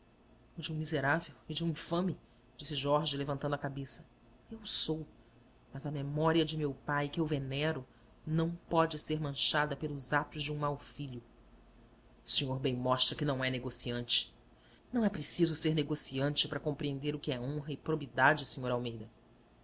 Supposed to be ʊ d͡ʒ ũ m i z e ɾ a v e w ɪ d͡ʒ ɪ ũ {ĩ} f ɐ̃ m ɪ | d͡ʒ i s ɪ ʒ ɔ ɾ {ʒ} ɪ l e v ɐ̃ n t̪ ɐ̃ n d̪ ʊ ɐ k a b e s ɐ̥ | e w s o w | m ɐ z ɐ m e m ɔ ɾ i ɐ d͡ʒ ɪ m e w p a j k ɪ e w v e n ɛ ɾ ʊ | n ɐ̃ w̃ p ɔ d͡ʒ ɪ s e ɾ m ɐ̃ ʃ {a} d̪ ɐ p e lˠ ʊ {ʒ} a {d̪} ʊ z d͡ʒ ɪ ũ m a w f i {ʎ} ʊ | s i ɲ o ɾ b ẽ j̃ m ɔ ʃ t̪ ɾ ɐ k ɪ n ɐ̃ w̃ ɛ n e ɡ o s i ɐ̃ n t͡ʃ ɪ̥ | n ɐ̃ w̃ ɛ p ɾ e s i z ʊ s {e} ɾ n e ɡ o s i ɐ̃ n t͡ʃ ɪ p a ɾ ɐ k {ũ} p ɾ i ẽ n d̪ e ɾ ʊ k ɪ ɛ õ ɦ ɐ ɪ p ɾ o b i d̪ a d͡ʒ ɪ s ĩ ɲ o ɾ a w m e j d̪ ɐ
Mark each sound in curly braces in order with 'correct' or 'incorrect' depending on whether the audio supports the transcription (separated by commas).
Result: correct, correct, correct, incorrect, incorrect, correct, correct, incorrect